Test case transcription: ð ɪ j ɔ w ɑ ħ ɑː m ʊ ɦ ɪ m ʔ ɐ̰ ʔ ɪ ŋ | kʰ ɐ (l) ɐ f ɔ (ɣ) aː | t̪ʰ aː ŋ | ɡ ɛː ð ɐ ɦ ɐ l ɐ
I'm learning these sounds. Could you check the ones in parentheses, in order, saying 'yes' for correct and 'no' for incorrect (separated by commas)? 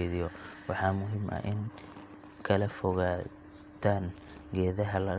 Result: yes, yes